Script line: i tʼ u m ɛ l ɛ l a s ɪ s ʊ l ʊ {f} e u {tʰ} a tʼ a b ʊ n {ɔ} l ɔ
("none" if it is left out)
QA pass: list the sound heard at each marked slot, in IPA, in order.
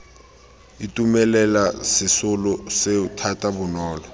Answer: s, tʰ, ɔː

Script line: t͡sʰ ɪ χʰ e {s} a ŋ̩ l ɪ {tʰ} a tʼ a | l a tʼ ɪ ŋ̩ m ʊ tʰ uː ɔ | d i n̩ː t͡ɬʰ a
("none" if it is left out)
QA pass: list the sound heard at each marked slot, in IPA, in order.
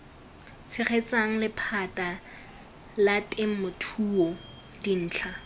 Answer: t͡s, pʰ

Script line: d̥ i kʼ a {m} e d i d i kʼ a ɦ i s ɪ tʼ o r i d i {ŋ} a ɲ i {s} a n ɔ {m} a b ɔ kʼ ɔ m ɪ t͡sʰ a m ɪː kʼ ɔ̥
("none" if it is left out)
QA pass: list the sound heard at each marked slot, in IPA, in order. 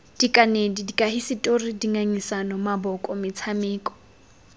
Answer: n, ŋ, s, m

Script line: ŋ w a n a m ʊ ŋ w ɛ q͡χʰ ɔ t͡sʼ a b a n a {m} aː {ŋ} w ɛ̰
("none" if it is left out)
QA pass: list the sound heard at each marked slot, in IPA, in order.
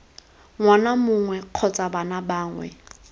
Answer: b, ŋ

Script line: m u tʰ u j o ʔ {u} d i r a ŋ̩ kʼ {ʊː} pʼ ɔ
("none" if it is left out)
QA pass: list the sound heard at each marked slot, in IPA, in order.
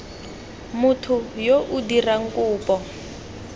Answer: u, uː

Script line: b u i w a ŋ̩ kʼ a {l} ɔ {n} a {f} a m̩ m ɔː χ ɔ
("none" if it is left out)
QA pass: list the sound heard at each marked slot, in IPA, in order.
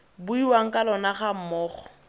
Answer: l, n, χ

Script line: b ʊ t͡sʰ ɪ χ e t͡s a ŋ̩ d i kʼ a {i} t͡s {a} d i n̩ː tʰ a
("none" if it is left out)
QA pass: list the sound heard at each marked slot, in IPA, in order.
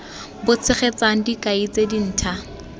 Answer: i, e

